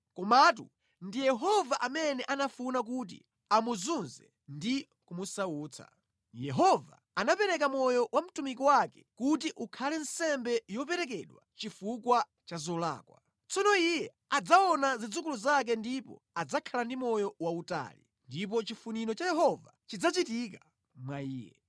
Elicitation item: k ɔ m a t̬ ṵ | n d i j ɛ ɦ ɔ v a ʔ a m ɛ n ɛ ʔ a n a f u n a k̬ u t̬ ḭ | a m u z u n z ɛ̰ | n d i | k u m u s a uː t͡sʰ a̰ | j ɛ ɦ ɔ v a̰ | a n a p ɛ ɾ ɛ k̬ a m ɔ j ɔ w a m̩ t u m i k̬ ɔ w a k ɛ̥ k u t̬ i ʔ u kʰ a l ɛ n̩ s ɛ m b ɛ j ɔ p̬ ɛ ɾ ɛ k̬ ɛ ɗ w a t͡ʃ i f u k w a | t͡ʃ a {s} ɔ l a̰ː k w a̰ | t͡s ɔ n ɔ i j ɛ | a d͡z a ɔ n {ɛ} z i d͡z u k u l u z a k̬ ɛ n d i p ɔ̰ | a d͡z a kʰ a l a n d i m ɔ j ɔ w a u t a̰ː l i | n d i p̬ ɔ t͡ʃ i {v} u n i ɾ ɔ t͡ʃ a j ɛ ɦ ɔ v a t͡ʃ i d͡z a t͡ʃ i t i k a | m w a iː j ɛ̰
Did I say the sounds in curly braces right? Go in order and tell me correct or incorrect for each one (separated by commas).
incorrect, incorrect, incorrect